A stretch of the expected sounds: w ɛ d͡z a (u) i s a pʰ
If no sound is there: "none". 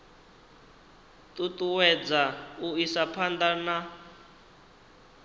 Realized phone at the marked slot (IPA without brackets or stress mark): u